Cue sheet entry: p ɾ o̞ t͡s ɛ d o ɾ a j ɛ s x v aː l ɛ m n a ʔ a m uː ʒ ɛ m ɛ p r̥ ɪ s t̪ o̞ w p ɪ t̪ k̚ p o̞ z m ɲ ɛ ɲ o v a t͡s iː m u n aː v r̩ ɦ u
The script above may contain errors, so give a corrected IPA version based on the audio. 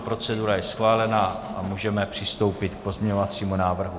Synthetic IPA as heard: p ɾ o̞ t͡s ɛ d u ɾ a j ɛ s x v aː l ɛ n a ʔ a m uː ʒ ɛ m ɛ p r̥ ɪ s t̪ o̞ w p ɪ t̪ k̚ p o̞ z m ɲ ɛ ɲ o v a t͡s iː m u n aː v r̩ ɦ u

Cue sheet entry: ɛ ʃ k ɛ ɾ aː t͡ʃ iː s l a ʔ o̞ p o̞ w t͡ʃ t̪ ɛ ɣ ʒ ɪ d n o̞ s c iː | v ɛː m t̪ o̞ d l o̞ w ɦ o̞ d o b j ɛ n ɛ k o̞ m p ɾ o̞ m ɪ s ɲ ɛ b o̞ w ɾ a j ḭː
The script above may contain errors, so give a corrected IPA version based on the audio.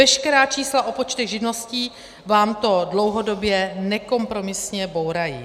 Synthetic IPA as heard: ɛ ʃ k ɛ ɾ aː t͡ʃ iː s l a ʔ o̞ p o̞ t͡ʃ t̪ ɛ ɣ ʒ ɪ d n o̞ s c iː | v aː m t̪ o̞ d l o̞ w ɦ o̞ d o b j ɛ n ɛ k o̞ m p ɾ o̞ m ɪ s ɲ ɛ b o̞ w ɾ a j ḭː

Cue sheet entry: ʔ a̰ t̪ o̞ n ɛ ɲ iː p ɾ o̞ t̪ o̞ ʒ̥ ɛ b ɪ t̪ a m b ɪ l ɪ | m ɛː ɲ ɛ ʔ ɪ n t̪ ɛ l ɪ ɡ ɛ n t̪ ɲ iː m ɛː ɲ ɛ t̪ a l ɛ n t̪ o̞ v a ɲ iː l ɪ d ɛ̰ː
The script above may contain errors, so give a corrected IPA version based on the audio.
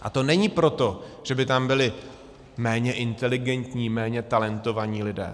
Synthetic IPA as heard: ʔ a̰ t̪ o̞ n ɛ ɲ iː p ɾ o̞ t̪ o̞ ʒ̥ ɛ b ɪ t̪ a m b ɪ l ɪ | m ɛː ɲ ɛ ʔ ɪ n t̪ ɛ l ɪ ɡ ɛ n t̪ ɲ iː m ɛː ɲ ɛ t̪ a l ɛ n t̪ o̞ v a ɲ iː l ɪ d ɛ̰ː

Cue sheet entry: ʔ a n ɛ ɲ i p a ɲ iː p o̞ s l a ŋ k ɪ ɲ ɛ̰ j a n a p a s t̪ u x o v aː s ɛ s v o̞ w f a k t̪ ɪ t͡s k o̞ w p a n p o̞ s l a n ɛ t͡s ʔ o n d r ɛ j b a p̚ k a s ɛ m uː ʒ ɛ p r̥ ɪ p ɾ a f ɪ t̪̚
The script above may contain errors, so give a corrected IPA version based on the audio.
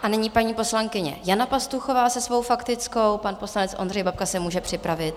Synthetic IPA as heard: ʔ a n ɛ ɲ i p a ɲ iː p o̞ s l a ŋ k ɪ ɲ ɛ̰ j a n a p a s t̪ u x o v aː s ɛ s v o̞ w f a k t̪ ɪ t͡s k o̞ w p a n p o̞ s l a n ɛ t͡s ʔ o n d r ɛ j b a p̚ k a s ɛ m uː ʒ ɛ p r̥ ɪ p ɾ a v ɪ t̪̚

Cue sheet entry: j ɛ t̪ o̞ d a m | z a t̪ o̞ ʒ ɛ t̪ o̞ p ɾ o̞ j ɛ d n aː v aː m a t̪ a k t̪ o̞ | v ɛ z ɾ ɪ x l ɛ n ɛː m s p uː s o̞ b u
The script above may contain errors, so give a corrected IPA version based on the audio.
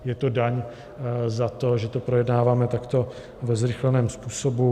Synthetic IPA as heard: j ɛ t̪ o̞ d a ɲ | z a t̪ o̞ ʒ ɛ t̪ o̞ p ɾ o̞ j ɛ d n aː v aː m ɛ t̪ a k t̪ o̞ | v ɛ z ɾ ɪ x l ɛ n ɛː m s p uː s o̞ b u

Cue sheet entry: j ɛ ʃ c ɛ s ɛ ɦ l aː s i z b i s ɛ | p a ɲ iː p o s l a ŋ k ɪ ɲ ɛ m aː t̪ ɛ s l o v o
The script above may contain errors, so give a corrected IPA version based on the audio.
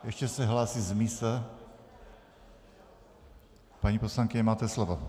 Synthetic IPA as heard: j ɛ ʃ c ɛ s ɛ ɦ l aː s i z m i s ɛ | p a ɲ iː p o s l a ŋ k ɪ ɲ ɛ m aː t̪ ɛ s l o v o

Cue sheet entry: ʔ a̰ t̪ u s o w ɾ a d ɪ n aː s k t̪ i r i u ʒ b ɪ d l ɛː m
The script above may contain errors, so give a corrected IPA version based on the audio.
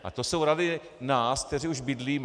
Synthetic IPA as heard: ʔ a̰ t̪ o s o w ɾ a d ɪ n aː s k t̪ ɛ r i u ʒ b ɪ d l iː m

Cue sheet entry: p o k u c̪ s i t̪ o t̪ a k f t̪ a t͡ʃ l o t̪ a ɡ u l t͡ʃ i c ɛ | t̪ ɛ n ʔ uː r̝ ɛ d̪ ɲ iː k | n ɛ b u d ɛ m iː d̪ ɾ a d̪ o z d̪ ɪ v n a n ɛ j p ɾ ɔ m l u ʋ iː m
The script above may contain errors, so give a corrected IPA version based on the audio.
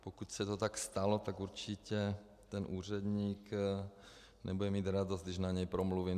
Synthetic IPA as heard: p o k u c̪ s ɛ t̪ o t̪ a k s t̪ a l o t̪ a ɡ u ɾ t͡ʃ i c ɛ | t̪ ɛ n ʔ uː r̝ ɛ d̪ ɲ iː k | n ɛ b u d ɛ m iː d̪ ɾ a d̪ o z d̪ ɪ ʒ n a ɲ ɛ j p ɾ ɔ m l u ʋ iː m

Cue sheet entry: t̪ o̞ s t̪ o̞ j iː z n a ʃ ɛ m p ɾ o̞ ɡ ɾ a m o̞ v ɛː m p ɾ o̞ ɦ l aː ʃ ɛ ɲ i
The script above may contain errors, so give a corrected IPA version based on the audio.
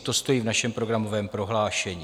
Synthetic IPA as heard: t̪ o̞ s t̪ o̞ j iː v n a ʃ ɛ m p ɾ o̞ ɡ ɾ a m o̞ v ɛː m p ɾ o̞ ɦ l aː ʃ ɛ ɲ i

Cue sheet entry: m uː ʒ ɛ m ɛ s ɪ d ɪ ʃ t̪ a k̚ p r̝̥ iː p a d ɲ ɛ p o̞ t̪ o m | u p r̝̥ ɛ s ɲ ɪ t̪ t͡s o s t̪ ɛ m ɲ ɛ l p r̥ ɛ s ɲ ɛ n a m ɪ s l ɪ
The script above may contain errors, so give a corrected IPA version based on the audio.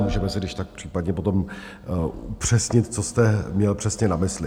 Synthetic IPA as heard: m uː ʒ ɛ m ɛ s ɪ d ɪ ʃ t̪ a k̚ p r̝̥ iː p a d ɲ ɛ p o̞ t̪ o m | u p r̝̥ ɛ s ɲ ɪ t̪ t͡s o s t̪ ɛ m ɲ ɛ l p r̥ ɛ s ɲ ɛ n a m ɪ s l ɪ

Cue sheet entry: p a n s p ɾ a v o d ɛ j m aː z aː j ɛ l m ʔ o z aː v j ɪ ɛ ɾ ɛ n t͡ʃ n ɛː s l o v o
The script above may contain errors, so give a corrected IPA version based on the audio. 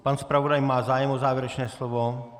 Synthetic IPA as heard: p a n s p ɾ a v o d a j m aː z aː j ɛ m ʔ o z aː v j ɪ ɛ ɾ ɛ t͡ʃ n ɛː s l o v o

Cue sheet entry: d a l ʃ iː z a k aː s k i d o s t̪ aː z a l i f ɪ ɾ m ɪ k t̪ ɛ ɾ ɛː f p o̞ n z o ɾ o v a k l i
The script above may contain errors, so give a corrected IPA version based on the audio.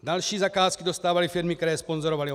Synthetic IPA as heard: d a l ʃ iː z a k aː s k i d o s t̪ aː v a l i f ɪ ɾ m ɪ k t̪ ɛ ɾ ɛː s p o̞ n z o ɾ o v a l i

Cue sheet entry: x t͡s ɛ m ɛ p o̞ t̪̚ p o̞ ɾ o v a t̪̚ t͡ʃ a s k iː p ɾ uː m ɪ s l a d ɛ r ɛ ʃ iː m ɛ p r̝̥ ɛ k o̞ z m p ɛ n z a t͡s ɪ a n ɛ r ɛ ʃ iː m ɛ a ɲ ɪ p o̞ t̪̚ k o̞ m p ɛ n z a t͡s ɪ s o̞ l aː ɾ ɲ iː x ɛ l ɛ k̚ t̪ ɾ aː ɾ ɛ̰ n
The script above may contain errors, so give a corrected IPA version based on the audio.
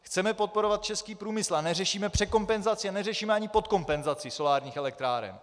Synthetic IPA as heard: x t͡s ɛ m ɛ p o̞ t̪̚ p o̞ ɾ o v a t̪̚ t͡ʃ ɛ s k iː p ɾ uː m ɪ s l a n ɛ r ɛ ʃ iː m ɛ p r̝̥ ɛ k o̞ m p ɛ n z a t͡s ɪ a n ɛ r ɛ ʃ iː m ɛ a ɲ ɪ p o̞ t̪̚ k o̞ m p ɛ n z a t͡s ɪ s o̞ l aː ɾ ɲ iː x ɛ l ɛ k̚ t̪ ɾ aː ɾ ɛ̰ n

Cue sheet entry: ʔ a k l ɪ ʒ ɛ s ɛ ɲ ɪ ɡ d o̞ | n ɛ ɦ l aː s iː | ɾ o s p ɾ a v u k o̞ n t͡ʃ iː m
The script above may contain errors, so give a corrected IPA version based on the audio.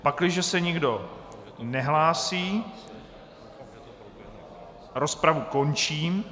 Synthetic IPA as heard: p a k l ɪ ʒ ɛ s ɛ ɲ ɪ ɡ d o̞ | n ɛ ɦ l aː s iː | ɾ o s p ɾ a v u k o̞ n t͡ʃ iː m

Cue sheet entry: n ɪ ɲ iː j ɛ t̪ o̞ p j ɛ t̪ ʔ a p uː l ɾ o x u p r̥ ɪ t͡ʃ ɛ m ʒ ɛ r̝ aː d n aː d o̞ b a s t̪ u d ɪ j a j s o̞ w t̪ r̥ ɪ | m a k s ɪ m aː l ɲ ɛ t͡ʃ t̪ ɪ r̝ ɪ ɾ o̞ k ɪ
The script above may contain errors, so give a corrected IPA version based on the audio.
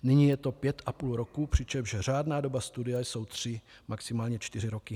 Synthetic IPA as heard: n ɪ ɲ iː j ɛ t̪ o̞ p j ɛ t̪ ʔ a p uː l ɾ o k u p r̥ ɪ t͡ʃ ɛ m ʒ ɛ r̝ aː d n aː d o̞ b a s t̪ u d ɪ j a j s o̞ w t̪ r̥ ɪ | m a k s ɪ m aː l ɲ ɛ t͡ʃ t̪ ɪ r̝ ɪ ɾ o̞ k ɪ

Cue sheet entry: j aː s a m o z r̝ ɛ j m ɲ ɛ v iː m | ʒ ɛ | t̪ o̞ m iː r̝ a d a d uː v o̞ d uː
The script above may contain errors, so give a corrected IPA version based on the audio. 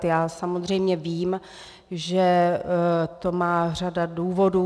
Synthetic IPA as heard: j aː s a m o z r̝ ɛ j m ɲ ɛ v iː m | ʒ ɛ | t̪ o̞ m aː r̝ a d a d uː v o̞ d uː

